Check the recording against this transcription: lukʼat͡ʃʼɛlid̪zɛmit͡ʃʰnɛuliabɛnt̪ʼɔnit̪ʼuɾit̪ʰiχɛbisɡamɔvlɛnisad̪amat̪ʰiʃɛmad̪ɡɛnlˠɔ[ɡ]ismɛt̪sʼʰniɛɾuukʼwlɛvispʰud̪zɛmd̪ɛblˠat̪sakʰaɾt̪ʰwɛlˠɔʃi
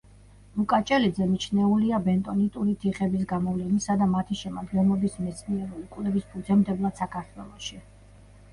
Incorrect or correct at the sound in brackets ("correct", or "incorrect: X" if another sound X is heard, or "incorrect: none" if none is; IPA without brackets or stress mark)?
incorrect: b